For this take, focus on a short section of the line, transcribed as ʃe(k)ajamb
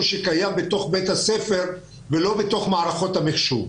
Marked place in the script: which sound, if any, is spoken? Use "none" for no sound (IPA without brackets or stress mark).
k